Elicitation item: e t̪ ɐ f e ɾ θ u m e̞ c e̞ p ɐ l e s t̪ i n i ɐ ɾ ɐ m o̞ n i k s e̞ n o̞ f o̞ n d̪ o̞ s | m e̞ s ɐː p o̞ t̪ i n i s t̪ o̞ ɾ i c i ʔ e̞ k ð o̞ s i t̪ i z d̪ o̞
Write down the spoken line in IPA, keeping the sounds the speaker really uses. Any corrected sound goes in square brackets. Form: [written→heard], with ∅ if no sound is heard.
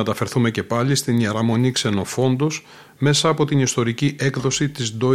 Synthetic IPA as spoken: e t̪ ɐ f e ɾ θ u m e̞ c e̞ p ɐ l [e→i] s t̪ i n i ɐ ɾ ɐ m o̞ n i k s e̞ n o̞ f o̞ n d̪ o̞ s | m e̞ s ɐː p o̞ t̪ i n i s t̪ o̞ ɾ i c i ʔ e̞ k ð o̞ s i t̪ i z d̪ o̞